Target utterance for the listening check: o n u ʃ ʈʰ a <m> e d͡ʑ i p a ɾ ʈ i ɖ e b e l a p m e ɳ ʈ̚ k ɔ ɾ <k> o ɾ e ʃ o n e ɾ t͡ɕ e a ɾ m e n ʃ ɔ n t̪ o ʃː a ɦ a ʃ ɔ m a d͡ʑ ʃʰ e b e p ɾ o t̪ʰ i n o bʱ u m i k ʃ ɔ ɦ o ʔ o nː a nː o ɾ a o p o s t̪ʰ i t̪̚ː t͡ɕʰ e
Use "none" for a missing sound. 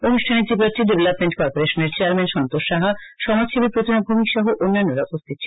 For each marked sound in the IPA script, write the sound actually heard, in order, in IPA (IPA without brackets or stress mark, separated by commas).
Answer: n, p